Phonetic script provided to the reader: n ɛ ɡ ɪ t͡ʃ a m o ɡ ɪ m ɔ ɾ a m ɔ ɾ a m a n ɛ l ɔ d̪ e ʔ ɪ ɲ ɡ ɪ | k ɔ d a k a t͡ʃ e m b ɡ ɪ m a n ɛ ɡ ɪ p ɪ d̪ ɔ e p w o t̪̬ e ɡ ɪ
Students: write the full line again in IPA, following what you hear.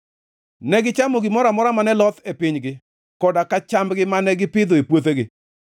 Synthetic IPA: n ɛ ɡ ɪ t͡ʃ a m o ɡ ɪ m ɔ ɾ a m ɔ ɾ a m a n ɛ l ɔ t̪ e p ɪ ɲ ɡ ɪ | k ɔ d a k a t͡ʃ a m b ɡ ɪ m a n ɛ ɡ ɪ p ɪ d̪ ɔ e p w o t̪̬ e ɡ ɪ